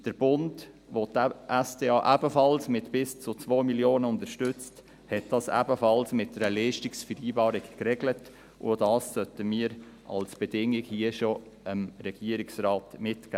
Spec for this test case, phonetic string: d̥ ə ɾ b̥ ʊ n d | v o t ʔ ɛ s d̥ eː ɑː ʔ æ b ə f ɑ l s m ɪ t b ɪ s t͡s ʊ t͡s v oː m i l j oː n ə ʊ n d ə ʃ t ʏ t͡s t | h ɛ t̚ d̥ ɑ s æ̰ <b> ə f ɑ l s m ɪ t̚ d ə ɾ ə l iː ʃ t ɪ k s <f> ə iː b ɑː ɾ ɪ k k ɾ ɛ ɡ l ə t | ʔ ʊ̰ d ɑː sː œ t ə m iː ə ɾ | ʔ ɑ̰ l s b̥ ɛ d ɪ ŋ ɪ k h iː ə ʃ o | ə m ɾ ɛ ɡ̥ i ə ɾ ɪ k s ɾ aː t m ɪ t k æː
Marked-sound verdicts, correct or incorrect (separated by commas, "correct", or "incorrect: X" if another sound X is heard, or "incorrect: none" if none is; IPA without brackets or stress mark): correct, correct